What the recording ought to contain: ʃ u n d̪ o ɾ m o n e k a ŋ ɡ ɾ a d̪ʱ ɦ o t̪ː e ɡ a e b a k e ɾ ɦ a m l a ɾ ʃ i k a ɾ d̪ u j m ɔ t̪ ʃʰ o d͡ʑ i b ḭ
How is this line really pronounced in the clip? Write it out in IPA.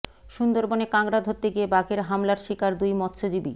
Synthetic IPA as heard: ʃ u n d̪ o ɾ b o n e k a ŋ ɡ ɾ a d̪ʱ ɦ o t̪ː e ɡ i e b a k e ɾ ɦ a m l a ɾ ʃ i k a ɾ d̪ u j m ɔ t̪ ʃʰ o d͡ʑ i b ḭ